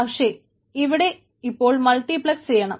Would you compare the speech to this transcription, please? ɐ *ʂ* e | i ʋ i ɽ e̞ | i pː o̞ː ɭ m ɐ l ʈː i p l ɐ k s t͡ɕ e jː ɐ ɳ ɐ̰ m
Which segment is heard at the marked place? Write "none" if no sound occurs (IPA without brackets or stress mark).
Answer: ʂ